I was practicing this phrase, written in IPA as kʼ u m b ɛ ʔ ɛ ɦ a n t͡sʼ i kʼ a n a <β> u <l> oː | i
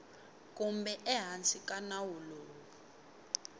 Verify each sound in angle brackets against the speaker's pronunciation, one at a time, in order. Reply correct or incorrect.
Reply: incorrect: w, correct

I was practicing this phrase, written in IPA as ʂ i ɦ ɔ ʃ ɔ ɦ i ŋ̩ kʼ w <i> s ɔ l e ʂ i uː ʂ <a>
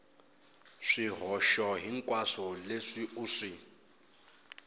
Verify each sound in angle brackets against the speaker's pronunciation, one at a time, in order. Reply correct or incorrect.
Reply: incorrect: a, incorrect: i

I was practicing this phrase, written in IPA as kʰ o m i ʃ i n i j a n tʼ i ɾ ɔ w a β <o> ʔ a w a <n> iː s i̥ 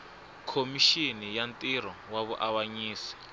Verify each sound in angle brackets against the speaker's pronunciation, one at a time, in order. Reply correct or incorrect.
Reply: incorrect: u, incorrect: ɲ

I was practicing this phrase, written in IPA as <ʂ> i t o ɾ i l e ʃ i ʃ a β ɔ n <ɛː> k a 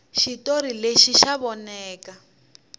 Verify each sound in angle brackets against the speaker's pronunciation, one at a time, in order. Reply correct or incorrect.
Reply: incorrect: ʃ, correct

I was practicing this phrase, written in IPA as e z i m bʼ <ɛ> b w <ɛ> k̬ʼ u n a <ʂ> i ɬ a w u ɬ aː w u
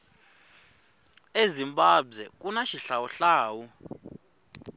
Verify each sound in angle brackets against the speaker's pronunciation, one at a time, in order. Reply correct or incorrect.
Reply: incorrect: a, correct, incorrect: ʃ

